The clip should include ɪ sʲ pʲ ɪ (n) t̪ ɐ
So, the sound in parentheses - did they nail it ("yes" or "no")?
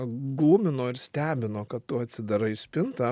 yes